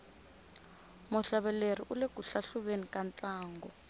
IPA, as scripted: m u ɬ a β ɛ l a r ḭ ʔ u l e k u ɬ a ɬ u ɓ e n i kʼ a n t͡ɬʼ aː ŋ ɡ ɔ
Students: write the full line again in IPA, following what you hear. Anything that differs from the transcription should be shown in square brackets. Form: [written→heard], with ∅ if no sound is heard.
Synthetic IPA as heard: m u ɬ a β ɛ l [a→e] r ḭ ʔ u l e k u ɬ a ɬ u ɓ e n i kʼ a n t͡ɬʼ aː ŋ ɡ ɔ